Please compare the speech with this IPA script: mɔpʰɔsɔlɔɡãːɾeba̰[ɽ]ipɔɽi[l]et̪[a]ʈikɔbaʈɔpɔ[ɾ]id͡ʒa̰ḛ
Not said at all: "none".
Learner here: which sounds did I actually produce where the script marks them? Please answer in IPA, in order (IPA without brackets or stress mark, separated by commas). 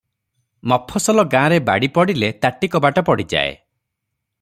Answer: ɽ, l, a, ɽ